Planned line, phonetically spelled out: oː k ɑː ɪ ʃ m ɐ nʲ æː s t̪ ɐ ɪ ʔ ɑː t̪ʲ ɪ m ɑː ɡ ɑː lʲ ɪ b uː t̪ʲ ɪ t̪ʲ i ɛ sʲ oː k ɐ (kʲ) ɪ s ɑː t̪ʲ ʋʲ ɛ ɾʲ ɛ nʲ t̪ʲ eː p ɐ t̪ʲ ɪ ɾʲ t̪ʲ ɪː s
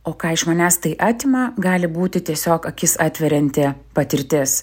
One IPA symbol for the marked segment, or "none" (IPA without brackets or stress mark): kʲ